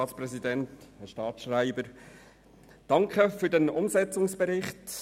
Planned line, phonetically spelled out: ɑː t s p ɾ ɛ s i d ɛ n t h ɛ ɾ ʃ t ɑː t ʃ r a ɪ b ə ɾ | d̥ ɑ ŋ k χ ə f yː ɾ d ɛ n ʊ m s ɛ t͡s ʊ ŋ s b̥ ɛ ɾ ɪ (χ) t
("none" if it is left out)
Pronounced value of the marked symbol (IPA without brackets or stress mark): χ